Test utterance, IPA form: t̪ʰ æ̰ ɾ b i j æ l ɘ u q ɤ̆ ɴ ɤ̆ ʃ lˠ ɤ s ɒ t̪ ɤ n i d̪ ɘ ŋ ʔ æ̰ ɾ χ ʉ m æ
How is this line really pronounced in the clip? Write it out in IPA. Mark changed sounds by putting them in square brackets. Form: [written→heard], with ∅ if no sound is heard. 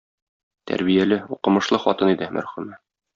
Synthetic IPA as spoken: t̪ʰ æ̰ ɾ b i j æ l ɘ u q ɤ̆ [ɴ→m] ɤ̆ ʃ lˠ ɤ [s→χ] ɒ t̪ ɤ n i d̪ ɘ [ŋ→m] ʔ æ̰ ɾ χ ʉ m æ